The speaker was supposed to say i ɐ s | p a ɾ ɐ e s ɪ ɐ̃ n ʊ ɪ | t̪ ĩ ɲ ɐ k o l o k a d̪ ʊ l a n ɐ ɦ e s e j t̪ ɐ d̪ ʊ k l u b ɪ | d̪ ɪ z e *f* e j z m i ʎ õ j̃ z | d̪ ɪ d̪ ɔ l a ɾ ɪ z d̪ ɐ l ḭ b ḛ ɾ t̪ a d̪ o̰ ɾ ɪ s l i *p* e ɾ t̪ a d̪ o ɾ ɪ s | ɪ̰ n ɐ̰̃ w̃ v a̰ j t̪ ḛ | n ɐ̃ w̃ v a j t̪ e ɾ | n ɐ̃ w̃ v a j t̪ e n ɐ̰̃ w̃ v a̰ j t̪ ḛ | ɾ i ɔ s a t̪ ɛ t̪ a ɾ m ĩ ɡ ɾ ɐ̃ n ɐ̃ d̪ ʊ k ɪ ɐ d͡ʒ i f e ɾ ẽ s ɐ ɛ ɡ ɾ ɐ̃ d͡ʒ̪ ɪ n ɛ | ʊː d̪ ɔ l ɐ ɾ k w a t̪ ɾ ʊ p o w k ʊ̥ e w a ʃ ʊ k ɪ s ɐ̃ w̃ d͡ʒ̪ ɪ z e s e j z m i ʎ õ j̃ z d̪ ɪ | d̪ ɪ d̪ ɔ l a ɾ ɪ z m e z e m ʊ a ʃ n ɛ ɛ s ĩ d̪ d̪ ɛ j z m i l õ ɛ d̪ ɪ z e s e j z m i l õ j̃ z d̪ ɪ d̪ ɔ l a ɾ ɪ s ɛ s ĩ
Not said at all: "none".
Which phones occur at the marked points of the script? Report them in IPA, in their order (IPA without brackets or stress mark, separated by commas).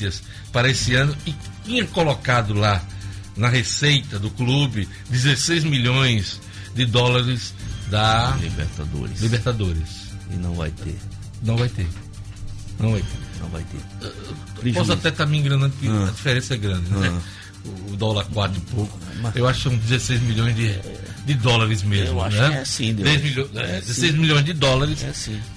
s, b